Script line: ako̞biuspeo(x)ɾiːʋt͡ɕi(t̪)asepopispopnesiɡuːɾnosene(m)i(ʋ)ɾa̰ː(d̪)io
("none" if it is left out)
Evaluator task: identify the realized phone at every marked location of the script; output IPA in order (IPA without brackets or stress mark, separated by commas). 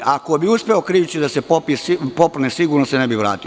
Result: k, d̪, b, ʋ, t̪